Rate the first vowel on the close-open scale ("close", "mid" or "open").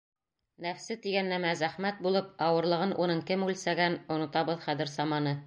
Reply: open